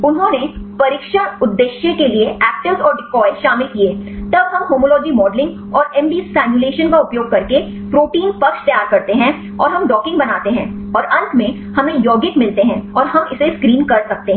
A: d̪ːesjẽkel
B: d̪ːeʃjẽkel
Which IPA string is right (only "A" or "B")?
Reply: B